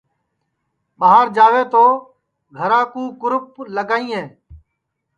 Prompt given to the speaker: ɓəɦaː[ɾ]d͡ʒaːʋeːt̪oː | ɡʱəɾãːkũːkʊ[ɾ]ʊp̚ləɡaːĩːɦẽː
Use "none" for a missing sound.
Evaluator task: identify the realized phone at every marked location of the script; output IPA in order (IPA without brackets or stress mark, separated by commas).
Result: ɾ, ɾ